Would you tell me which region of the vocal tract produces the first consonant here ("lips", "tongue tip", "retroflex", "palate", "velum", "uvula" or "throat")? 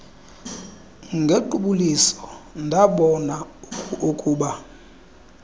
velum